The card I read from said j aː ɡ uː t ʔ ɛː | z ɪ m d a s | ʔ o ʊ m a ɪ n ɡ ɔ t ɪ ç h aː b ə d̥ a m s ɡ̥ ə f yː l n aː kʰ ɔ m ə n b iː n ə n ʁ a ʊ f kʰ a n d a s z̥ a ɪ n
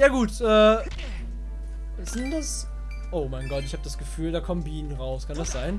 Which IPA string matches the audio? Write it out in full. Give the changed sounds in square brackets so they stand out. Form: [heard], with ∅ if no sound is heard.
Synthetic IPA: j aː ɡ uː t ʔ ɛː | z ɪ [n] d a s | ʔ o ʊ m a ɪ n ɡ ɔ t ɪ ç h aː b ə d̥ a [∅] s ɡ̥ ə f yː l [d] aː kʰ ɔ m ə n b iː n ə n ʁ a ʊ [s] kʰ a n d a s z̥ a ɪ n